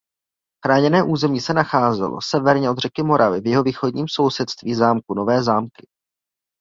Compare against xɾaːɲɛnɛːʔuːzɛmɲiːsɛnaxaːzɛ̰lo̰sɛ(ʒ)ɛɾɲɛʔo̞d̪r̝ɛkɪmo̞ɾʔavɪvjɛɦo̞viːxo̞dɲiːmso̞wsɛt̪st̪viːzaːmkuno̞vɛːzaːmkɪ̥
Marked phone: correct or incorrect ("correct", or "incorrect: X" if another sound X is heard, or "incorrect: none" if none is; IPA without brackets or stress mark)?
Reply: incorrect: v